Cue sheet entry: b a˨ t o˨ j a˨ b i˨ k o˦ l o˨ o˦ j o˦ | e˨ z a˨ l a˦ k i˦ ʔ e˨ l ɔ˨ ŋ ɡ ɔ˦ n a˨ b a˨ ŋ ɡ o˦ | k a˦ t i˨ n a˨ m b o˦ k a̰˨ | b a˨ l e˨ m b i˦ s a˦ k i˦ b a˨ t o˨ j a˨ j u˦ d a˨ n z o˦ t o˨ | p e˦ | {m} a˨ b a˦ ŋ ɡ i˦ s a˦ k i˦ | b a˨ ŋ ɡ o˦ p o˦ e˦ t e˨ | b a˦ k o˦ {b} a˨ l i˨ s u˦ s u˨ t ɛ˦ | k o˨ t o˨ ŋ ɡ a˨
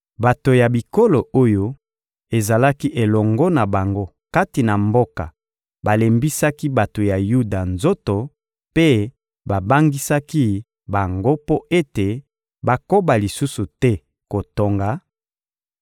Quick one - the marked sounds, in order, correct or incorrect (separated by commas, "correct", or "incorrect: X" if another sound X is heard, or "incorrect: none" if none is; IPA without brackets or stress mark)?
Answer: incorrect: b, correct